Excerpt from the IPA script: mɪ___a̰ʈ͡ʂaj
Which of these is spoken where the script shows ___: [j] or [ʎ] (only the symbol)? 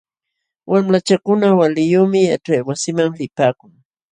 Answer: j